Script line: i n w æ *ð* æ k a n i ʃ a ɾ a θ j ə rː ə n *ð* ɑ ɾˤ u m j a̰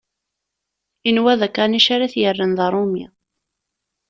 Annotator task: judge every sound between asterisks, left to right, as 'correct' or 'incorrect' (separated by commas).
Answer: correct, correct